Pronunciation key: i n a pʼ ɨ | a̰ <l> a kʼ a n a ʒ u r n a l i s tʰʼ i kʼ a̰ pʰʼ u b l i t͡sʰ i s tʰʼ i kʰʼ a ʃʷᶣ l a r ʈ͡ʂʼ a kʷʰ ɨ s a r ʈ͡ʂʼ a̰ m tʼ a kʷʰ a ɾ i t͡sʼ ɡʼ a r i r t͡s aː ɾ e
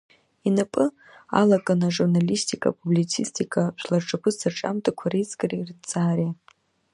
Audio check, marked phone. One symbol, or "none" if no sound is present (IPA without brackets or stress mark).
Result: l